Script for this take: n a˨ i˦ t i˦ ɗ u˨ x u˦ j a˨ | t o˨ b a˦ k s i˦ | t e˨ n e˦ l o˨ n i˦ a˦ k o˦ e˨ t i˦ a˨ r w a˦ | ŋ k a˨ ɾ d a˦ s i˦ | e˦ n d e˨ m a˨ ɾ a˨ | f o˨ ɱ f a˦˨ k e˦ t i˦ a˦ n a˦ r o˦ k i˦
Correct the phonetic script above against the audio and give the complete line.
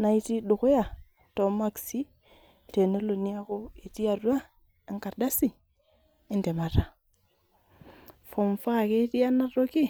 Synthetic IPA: n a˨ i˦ t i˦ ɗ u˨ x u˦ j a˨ | t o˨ m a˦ k s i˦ | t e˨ n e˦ l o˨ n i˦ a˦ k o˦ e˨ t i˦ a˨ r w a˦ | ŋ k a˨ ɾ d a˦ s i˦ | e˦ n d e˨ m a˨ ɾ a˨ | f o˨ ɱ f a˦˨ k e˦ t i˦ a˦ n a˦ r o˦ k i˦